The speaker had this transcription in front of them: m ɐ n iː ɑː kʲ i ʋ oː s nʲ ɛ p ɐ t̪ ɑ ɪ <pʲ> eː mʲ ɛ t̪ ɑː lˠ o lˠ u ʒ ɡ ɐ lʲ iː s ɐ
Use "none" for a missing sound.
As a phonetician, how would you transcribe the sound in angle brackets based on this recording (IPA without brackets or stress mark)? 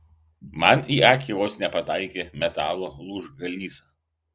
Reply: kʲ